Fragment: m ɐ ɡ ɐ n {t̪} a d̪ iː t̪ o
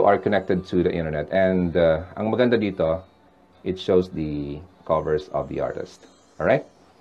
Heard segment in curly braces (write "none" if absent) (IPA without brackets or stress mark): d̪